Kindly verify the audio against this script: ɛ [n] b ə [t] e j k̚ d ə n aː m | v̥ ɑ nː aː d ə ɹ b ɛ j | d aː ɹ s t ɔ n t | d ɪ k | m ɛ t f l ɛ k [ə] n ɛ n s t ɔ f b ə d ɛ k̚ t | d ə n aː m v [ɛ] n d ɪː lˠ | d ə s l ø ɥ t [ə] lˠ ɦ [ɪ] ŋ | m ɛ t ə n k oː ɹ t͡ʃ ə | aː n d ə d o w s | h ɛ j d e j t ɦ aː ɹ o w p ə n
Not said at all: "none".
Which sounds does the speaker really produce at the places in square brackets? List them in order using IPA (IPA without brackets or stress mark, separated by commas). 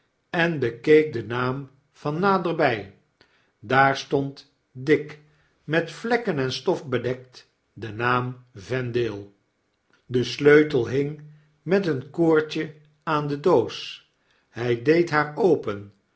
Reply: n, k, ə, ɛ, ə, ɪ